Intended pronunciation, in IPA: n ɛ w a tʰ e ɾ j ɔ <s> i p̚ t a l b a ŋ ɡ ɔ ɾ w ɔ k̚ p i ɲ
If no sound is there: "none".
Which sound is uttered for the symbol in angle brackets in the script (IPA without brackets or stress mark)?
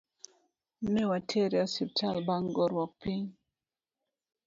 s